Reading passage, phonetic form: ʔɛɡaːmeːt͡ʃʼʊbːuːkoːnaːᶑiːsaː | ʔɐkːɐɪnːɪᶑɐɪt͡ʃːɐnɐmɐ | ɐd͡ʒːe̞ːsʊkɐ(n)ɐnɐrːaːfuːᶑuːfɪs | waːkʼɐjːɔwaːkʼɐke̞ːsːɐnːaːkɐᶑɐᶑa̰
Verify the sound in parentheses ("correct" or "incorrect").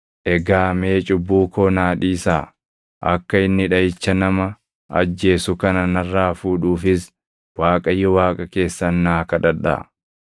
correct